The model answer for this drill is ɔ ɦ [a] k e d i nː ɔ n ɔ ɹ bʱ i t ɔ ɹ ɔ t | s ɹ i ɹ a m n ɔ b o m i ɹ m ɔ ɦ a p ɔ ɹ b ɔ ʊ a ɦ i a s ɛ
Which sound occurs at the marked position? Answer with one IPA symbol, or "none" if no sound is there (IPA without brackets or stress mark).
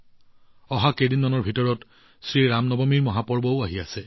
a